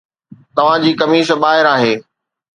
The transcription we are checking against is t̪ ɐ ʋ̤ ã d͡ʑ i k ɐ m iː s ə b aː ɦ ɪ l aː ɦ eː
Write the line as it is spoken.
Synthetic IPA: t̪ ɐ ʋ̤ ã d͡ʑ iː k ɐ m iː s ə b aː ɦ ɪ ɾ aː ɦ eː